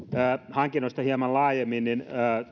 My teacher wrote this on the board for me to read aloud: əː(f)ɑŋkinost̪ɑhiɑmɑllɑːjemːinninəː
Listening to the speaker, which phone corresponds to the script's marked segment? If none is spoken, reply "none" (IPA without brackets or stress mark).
h